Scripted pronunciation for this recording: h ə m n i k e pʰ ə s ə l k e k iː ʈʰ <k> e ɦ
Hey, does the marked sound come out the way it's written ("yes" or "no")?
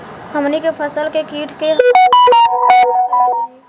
yes